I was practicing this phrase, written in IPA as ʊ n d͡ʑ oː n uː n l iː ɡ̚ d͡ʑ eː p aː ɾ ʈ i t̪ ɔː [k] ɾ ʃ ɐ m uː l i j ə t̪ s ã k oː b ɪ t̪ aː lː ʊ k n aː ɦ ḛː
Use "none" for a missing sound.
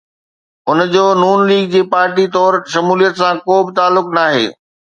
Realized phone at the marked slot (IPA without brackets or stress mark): none